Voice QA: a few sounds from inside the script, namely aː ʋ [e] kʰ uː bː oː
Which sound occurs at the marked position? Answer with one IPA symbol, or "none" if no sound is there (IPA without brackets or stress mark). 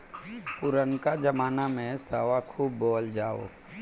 a